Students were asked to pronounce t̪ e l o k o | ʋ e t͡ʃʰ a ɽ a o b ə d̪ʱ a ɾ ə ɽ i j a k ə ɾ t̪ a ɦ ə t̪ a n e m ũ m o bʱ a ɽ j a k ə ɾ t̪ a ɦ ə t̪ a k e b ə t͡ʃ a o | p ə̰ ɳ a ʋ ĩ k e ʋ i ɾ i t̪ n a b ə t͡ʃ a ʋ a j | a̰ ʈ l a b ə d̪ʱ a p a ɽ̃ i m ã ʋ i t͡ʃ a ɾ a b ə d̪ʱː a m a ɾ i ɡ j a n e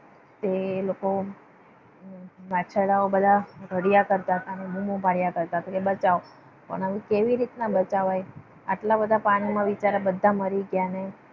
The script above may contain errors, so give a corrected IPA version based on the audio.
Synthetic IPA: t̪ e l o k o | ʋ a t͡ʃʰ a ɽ a o b ə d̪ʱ a ɾ ə ɽ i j a k ə ɾ t̪ a ɦ ə t̪ a n e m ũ m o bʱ a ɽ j a k ə ɾ t̪ a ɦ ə t̪ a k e b ə t͡ʃ a o | p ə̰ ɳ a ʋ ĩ k e ʋ i ɾ i t̪ n a b ə t͡ʃ a ʋ a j | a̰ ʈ l a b ə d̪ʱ a p a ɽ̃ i m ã ʋ i t͡ʃ a ɾ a b ə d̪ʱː a m ə ɾ i ɡ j a n e